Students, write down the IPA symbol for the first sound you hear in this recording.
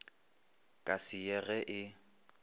kʼ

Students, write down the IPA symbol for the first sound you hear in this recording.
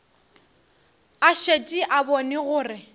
a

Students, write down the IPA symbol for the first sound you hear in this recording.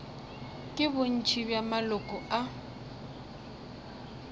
kʼ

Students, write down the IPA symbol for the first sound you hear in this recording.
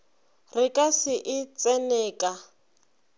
r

